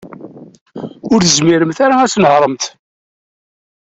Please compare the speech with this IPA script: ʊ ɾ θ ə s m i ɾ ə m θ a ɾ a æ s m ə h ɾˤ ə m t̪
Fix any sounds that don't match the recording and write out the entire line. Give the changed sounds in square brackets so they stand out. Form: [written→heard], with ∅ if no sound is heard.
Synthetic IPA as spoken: ʊ ɾ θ ə [s→z] m i ɾ ə m θ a ɾ a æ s [m→n] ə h ɾˤ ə m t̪